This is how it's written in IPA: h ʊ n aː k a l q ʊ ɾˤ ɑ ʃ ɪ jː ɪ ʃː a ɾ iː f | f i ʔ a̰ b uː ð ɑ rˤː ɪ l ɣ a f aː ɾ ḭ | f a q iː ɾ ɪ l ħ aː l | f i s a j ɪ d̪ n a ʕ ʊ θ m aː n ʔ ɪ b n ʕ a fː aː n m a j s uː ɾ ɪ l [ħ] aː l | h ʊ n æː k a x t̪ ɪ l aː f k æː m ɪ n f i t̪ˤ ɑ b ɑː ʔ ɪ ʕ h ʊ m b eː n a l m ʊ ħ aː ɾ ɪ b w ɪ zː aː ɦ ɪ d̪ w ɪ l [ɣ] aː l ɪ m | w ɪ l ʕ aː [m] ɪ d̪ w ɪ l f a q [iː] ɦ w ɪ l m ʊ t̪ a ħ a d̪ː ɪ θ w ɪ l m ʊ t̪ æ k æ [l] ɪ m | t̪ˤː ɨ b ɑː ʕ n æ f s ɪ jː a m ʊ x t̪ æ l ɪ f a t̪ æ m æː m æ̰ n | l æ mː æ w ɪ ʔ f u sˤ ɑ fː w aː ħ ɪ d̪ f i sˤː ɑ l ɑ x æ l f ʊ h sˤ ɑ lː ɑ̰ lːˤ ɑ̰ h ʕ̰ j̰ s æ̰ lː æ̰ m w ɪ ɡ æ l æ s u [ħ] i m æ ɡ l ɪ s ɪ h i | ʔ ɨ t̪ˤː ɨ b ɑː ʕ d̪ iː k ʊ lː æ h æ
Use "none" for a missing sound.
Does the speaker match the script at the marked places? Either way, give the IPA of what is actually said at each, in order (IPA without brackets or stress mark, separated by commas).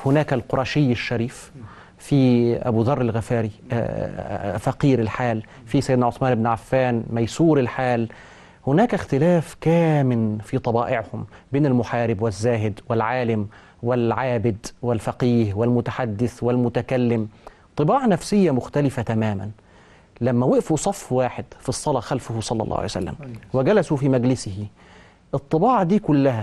ħ, ʕ, b, iː, lː, f